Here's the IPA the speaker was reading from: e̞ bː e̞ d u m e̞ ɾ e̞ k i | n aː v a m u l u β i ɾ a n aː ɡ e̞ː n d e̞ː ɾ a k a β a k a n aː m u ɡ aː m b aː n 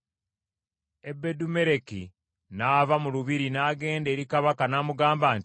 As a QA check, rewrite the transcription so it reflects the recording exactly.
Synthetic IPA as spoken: e̞ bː e̞ d u m e̞ ɾ e̞ k i | n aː v a m u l u β i ɾ i n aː ɡ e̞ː n d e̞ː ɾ i k a β a k a n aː m u ɡ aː m b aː n